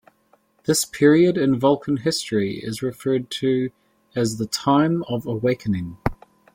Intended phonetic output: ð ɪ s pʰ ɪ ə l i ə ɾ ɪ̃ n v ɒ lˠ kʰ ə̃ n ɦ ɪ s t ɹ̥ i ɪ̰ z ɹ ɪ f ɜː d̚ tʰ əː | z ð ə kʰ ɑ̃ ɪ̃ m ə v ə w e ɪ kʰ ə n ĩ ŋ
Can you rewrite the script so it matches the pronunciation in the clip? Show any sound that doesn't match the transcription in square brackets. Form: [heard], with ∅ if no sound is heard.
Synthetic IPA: ð ɪ s pʰ ɪ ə [ɹ] i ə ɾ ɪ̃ n v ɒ lˠ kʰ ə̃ n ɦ ɪ s t ɹ̥ i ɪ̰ z ɹ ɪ f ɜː d̚ tʰ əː | z ð ə [tʰ] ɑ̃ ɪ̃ m ə v ə w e ɪ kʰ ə n [ɪ̃] ŋ